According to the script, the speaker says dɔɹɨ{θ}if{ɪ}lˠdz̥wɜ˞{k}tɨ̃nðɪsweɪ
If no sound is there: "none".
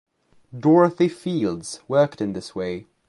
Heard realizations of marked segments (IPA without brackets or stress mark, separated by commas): θ, i, k